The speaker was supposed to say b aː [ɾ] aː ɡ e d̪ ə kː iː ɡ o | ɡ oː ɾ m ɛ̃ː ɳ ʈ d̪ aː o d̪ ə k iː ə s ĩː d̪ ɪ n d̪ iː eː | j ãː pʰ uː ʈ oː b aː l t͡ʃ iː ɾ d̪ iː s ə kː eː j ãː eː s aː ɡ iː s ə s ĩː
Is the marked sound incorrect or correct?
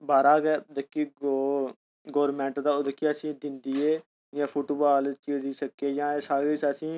correct